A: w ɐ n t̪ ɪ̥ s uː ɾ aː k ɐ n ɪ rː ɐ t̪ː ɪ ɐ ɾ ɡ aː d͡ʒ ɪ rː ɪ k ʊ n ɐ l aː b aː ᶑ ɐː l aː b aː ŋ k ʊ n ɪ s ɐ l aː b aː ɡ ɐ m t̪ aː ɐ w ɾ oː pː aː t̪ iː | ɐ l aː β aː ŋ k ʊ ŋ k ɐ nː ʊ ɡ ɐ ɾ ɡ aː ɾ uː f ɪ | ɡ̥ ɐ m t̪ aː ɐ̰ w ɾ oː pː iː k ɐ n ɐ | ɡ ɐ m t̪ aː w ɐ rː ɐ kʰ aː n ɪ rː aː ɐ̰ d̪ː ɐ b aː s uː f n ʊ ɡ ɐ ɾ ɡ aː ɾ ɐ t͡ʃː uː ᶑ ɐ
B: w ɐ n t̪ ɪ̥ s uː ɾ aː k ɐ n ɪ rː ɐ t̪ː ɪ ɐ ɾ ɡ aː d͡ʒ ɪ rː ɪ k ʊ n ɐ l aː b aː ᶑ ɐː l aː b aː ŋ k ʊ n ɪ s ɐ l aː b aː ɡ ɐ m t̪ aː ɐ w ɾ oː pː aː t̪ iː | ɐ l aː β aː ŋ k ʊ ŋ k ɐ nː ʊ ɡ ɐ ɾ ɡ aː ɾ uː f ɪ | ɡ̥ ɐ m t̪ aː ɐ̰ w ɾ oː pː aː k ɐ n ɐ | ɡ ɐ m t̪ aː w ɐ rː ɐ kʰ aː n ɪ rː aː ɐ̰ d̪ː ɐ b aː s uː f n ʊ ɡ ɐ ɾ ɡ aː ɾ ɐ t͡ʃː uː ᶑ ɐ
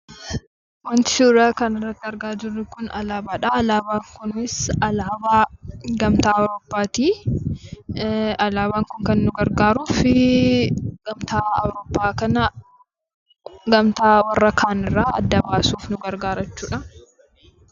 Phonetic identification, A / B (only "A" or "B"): B